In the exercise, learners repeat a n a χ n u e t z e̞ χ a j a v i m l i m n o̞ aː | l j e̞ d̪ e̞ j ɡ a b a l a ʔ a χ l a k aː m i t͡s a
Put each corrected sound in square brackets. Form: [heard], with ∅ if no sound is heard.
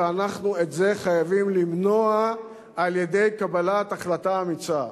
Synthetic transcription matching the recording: a n a χ n u e t z e̞ χ a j a v i m l i m n o̞ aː | l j e̞ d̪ e̞ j [k] a b a l a [t] a χ l a [t] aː m i t͡s a